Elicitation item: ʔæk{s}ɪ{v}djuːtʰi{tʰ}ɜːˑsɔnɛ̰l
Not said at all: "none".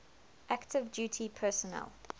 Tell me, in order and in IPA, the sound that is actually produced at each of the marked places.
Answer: t, v, pʰ

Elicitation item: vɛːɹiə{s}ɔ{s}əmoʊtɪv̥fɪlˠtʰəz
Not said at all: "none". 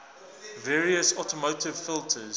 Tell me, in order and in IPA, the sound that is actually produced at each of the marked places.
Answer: s, t

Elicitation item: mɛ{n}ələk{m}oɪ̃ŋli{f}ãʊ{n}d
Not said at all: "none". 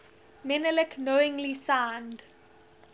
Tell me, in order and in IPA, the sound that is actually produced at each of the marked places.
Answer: n, n, s, n

